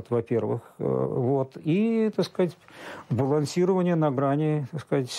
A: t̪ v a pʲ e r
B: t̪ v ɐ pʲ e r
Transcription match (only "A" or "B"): B